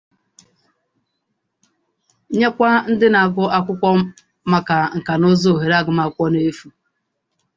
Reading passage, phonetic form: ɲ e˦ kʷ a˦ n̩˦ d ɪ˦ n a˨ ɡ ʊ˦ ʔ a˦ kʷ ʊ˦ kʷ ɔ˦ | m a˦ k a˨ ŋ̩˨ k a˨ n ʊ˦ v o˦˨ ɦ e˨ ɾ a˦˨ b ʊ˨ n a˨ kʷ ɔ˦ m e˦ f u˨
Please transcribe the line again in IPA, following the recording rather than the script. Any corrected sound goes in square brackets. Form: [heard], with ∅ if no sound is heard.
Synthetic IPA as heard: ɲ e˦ kʷ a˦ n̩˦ d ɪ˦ n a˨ ɡ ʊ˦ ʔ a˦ kʷ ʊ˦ kʷ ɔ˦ | m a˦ k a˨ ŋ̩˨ k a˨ n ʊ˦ [z] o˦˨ ɦ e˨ ɾ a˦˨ [ɡ] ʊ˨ [m] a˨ kʷ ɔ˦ [n] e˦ f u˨